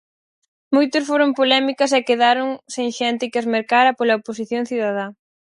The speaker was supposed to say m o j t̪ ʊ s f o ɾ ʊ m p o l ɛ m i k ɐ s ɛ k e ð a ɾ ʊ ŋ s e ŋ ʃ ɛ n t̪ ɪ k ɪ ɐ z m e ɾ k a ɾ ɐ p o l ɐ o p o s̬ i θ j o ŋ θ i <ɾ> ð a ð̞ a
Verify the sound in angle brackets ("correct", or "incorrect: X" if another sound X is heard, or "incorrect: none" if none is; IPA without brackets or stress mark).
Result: incorrect: none